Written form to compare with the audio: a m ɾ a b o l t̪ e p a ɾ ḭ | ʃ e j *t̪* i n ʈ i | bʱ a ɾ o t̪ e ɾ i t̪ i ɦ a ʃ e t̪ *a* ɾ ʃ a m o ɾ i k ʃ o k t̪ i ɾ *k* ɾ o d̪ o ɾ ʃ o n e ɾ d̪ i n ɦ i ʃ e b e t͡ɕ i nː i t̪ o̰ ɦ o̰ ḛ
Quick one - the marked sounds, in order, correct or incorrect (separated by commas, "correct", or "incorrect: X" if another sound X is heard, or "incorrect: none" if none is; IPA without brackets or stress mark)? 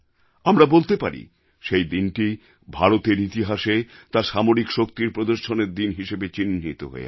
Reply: incorrect: d̪, correct, incorrect: p